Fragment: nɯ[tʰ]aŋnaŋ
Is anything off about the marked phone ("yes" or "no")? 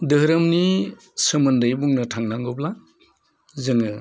no